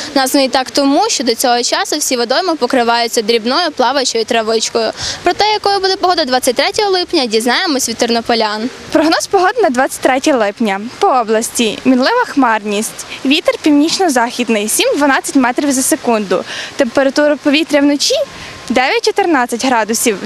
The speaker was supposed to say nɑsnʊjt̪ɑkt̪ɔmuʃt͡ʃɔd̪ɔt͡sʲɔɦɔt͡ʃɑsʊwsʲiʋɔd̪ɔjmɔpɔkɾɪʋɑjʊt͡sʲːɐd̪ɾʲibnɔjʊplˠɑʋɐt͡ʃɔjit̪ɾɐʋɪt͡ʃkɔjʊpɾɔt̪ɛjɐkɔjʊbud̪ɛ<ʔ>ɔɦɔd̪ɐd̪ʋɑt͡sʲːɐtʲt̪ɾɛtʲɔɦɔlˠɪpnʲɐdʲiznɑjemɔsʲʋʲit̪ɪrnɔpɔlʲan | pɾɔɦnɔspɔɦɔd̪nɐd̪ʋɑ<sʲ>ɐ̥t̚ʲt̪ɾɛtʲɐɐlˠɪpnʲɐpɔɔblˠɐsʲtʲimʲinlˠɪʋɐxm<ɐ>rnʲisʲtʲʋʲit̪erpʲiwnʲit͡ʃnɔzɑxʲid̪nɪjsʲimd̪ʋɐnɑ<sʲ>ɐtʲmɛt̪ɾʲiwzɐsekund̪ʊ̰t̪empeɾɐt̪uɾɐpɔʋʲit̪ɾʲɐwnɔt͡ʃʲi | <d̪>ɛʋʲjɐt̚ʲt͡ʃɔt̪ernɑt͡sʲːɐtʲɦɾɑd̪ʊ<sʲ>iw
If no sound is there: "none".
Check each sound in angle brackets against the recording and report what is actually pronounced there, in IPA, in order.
p, t͡sʲ, ɑ, t͡sʲ, d̪, sʲ

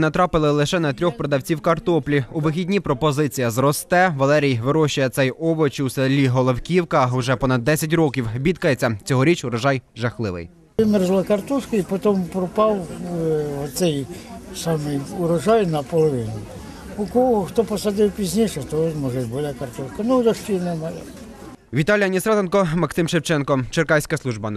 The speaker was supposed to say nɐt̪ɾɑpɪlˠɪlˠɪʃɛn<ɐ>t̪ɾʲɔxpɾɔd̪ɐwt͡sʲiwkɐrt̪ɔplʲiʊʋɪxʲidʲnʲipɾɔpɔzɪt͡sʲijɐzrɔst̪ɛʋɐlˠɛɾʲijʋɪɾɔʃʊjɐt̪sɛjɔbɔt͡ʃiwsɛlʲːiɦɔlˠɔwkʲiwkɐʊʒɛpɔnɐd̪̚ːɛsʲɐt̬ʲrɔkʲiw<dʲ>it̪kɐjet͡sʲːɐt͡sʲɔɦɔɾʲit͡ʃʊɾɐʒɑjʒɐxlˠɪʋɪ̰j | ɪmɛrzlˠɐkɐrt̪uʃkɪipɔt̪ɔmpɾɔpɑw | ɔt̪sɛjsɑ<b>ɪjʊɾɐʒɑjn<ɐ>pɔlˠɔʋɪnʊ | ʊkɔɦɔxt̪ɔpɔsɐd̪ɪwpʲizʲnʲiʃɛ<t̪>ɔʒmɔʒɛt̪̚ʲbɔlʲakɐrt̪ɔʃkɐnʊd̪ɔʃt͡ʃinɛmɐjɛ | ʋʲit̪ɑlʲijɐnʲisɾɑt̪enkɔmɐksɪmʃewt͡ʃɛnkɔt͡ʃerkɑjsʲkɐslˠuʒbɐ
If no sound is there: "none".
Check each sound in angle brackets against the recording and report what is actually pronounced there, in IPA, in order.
ɐ, bʲ, m, ɐ, t̪

